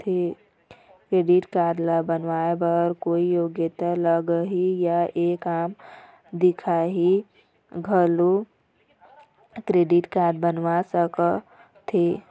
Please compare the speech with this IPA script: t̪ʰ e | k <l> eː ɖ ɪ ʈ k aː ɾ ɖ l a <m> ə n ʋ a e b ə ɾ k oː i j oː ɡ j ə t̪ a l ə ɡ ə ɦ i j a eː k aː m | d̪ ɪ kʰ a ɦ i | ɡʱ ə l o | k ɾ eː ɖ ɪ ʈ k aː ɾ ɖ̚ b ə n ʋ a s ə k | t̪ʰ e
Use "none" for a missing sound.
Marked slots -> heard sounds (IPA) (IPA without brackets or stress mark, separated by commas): ɾ, b